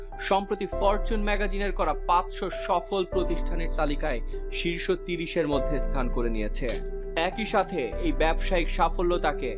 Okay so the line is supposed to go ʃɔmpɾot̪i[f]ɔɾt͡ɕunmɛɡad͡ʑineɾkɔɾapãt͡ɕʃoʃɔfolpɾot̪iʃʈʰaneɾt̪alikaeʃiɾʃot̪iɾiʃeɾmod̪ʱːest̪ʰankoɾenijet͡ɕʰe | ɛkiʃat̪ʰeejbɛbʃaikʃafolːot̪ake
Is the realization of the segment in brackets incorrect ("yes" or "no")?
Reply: no